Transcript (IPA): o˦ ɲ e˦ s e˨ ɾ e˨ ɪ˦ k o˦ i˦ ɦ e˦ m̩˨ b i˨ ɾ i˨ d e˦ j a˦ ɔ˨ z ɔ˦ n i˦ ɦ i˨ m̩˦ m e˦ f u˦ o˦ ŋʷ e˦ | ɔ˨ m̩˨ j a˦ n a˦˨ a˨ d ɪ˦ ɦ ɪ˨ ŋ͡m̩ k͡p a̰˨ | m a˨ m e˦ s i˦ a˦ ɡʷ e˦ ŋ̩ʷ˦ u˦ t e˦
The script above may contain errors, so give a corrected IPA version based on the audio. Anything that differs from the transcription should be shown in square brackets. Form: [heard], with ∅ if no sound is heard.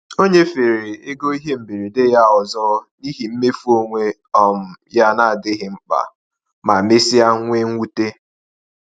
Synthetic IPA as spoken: o˦ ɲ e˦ [f] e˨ ɾ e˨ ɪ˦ [ɡ] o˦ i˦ ɦ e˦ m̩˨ b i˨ ɾ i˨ d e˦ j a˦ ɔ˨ z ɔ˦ n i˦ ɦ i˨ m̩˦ m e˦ f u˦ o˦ ŋʷ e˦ | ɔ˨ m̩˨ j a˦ n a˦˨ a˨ d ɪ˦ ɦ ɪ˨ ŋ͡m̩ k͡p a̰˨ | m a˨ m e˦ s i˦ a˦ [ŋʷ] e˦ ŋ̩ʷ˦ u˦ t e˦